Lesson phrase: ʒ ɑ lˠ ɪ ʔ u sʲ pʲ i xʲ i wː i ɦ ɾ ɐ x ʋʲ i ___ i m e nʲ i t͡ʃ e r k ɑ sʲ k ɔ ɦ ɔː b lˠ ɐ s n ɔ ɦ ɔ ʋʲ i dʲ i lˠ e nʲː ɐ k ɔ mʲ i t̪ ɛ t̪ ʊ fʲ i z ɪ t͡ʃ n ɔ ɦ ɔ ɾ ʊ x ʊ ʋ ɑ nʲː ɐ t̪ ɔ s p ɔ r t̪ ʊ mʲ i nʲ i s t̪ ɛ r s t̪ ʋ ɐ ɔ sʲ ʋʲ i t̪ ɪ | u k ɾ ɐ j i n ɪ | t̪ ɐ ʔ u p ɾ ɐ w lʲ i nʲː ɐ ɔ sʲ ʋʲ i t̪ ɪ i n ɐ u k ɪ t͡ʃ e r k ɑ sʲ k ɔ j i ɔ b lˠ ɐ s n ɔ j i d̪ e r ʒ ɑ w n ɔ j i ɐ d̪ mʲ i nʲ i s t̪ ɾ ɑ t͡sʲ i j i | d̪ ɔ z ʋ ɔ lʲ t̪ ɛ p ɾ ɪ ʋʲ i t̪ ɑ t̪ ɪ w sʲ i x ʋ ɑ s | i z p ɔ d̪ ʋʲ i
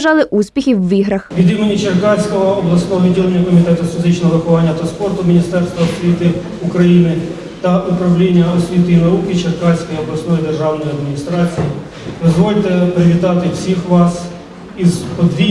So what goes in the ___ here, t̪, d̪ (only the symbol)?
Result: d̪